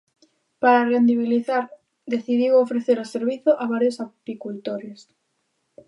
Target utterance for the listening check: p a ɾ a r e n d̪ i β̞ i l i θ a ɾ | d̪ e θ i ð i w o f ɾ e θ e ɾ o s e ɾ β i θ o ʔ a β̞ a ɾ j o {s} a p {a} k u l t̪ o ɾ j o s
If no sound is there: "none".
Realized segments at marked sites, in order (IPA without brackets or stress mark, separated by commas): s, i